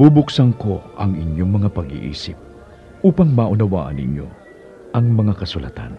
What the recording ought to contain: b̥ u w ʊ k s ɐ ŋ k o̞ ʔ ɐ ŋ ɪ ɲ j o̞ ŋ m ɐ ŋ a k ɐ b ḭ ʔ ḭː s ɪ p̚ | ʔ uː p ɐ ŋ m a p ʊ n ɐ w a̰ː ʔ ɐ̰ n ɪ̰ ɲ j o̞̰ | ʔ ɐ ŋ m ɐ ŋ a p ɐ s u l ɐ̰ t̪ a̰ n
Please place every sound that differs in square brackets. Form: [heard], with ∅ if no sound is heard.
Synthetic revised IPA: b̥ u [b] ʊ k s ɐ ŋ k o̞ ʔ ɐ ŋ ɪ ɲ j o̞ ŋ m ɐ ŋ a [p] ɐ [ɡ] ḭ ʔ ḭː s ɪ p̚ | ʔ uː p ɐ ŋ m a [ʔ] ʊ n ɐ w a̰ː ʔ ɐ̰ n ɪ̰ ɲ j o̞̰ | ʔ ɐ ŋ m ɐ ŋ a [k] ɐ s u l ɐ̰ t̪ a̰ n